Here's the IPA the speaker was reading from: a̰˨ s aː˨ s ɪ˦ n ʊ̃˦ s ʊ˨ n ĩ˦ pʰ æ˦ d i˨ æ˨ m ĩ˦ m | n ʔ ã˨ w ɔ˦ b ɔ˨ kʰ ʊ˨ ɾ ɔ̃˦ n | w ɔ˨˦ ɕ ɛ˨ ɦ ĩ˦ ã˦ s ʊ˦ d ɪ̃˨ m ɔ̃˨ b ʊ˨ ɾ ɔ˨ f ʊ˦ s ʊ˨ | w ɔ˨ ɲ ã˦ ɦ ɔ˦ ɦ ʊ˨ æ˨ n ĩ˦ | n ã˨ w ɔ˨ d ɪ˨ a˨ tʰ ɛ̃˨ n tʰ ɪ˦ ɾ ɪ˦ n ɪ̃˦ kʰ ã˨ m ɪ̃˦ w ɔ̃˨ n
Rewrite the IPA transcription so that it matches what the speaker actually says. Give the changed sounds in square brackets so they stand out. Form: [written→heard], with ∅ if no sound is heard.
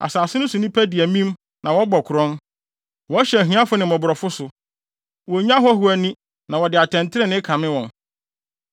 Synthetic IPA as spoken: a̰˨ s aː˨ s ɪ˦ n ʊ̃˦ s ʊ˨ n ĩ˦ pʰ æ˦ d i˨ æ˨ m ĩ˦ m | n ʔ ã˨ w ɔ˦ b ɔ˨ kʰ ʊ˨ ɾ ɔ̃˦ n | w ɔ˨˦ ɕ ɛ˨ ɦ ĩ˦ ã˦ [s→f] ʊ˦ [d→n] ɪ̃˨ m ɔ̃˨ b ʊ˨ ɾ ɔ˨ f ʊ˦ s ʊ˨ | w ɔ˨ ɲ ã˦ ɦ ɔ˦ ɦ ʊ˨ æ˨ n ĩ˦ | n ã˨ w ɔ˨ d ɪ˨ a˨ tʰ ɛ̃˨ n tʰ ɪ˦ ɾ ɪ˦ n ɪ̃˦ kʰ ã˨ m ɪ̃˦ w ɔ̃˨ n